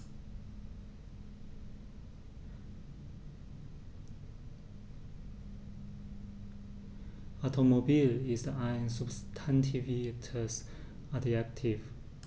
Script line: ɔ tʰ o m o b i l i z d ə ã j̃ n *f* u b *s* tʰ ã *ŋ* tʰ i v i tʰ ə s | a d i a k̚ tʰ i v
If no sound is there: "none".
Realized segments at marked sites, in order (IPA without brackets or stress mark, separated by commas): s, s, n